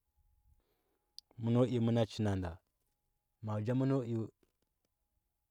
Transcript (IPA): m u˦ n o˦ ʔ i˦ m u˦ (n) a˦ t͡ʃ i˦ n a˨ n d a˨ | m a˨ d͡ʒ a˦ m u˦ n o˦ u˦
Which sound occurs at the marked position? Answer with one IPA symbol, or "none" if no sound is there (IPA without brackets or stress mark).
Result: n